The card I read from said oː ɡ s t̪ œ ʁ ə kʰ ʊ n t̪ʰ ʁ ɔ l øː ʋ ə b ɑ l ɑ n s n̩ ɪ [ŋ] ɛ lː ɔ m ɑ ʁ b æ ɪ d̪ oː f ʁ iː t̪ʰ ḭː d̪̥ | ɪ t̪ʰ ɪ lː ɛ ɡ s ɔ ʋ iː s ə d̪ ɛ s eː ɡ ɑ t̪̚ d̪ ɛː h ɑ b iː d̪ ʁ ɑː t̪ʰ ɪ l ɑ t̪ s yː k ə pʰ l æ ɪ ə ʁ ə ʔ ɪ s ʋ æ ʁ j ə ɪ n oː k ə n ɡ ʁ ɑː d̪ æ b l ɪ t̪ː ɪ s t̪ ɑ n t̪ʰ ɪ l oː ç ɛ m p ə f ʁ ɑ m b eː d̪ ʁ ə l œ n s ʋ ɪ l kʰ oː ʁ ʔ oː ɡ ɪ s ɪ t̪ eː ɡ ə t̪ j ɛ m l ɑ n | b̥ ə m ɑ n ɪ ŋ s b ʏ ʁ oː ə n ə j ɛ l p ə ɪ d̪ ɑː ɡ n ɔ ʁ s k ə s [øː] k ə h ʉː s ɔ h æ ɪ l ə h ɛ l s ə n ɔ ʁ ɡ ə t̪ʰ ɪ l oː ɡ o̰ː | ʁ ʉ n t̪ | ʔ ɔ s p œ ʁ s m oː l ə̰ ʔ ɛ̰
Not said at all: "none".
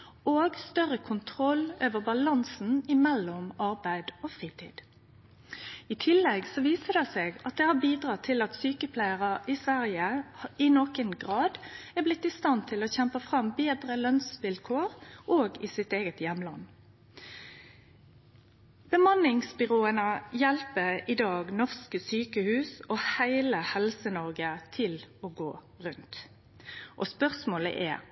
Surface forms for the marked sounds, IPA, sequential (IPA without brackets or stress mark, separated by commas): m, yː